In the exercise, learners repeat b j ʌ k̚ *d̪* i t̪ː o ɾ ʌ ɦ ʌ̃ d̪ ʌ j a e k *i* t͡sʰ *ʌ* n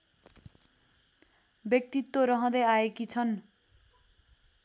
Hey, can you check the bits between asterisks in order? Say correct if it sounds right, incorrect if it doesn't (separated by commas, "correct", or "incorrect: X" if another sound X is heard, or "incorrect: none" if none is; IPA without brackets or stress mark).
incorrect: t̪, correct, correct